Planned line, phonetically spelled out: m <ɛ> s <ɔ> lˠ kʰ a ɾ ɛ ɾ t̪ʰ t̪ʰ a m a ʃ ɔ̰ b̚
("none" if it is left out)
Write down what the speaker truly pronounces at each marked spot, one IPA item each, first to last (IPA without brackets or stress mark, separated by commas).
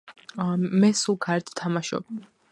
ɛ, u